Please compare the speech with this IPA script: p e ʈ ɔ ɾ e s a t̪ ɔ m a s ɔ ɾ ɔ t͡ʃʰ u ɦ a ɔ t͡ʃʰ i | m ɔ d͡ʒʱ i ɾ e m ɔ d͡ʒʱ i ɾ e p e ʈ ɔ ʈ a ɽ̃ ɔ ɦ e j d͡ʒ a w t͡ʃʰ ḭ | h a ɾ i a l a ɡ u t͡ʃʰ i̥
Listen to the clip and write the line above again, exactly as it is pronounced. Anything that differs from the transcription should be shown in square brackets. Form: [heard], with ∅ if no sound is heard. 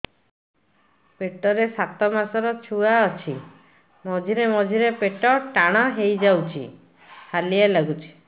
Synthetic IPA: p e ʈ ɔ ɾ e s a t̪ ɔ m a s ɔ ɾ ɔ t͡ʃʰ u [∅] a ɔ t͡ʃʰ i | m ɔ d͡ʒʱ i ɾ e m ɔ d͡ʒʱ i ɾ e p e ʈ ɔ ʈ a ɽ̃ ɔ ɦ e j d͡ʒ a w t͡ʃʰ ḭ | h a [l] i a l a ɡ u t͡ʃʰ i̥